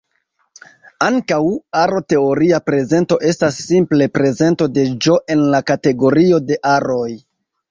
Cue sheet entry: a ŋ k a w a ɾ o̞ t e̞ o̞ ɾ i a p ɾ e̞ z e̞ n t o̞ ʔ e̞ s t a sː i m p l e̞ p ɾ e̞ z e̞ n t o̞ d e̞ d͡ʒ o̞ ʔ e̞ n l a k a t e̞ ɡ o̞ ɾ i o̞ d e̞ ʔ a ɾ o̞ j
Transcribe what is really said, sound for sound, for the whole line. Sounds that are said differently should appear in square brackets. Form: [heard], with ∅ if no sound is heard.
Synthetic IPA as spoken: a ŋ k a w a ɾ o̞ t e̞ o̞ ɾ i a p ɾ e̞ z e̞ n t o̞ ʔ e̞ s t a sː i m p l e̞ p ɾ e̞ z e̞ n t o̞ d e̞ d͡ʒ o̞ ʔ e̞ n l a k a t e̞ ɡ o̞ ɾ i o̞ d e̞ ʔ a ɾ o̞ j